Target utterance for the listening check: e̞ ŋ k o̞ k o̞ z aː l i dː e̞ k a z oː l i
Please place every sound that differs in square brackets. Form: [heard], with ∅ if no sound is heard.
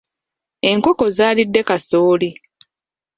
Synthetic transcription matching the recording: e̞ ŋ k o̞ k o̞ z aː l i dː e̞ k a [s] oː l i